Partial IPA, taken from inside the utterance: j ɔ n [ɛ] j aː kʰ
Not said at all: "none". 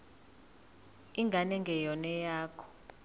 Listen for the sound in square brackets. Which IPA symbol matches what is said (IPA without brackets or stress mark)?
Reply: ɛ